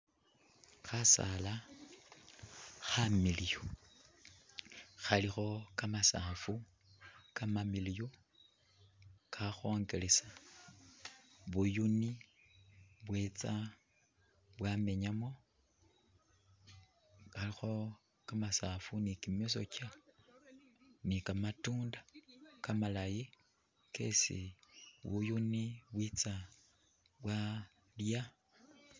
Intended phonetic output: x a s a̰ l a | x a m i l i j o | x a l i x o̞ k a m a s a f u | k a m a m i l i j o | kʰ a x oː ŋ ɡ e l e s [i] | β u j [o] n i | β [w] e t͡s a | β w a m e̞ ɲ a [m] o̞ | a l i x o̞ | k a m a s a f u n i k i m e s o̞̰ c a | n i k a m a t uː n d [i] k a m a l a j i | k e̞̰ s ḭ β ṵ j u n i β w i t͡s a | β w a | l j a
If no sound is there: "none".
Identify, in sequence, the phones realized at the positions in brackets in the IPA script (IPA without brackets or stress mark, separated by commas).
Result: a, u, w, m, a